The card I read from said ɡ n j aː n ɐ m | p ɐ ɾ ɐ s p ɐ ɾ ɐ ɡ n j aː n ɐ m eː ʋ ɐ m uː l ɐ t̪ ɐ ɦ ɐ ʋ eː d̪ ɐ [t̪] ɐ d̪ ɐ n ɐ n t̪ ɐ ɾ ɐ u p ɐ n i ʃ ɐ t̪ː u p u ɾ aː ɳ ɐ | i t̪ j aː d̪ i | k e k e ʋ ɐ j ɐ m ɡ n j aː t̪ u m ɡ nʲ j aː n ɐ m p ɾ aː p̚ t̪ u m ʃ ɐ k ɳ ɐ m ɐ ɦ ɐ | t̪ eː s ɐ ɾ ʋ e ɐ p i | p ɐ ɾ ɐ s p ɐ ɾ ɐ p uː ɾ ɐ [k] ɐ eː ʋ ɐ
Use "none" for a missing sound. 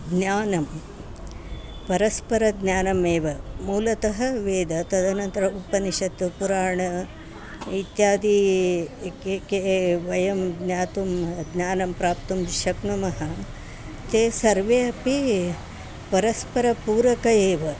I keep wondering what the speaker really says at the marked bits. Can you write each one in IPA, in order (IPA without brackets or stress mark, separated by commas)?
t̪, k